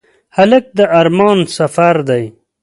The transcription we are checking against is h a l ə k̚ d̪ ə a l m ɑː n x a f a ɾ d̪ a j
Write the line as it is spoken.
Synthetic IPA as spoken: h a l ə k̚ d̪ ə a ɾ m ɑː n s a f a ɾ d̪ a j